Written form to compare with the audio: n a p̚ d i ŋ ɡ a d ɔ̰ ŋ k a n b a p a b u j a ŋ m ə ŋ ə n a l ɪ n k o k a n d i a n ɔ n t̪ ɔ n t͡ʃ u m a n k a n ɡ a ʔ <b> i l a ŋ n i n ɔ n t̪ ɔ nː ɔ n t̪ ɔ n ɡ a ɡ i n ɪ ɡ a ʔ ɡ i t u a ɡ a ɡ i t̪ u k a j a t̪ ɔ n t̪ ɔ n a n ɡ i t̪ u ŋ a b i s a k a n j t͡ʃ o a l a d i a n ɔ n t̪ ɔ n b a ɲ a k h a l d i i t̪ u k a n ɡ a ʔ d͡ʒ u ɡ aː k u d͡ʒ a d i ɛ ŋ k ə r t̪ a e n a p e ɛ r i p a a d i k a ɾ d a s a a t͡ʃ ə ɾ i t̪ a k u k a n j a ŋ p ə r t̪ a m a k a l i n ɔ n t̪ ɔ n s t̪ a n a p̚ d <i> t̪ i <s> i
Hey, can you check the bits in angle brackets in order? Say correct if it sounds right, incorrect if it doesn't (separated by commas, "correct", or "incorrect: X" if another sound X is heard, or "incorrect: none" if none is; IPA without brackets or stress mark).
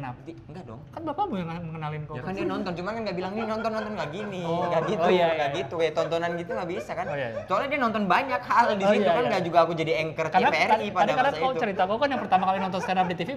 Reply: correct, correct, incorrect: f